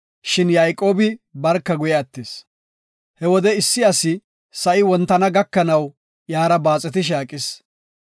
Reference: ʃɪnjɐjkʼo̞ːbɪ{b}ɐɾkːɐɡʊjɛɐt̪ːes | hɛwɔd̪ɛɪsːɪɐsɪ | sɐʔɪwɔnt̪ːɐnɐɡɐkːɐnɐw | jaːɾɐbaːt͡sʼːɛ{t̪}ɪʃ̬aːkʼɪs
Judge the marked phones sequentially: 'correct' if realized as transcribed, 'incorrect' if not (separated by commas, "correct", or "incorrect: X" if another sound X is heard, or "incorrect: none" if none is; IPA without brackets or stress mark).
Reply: correct, correct